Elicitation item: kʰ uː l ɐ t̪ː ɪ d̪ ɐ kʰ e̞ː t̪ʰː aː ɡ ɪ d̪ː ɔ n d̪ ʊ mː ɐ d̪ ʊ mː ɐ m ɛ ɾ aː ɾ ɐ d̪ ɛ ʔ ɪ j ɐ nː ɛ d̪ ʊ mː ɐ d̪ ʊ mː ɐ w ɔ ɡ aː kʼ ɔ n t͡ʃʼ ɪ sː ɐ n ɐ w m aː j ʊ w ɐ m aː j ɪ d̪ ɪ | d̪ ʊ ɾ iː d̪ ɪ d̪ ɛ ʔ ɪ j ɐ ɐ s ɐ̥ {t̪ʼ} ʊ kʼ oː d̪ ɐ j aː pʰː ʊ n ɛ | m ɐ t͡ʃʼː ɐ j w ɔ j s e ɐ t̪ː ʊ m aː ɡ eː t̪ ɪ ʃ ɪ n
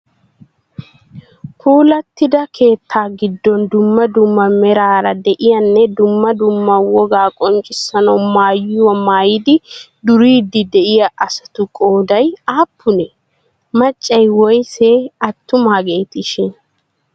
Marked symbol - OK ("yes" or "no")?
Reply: no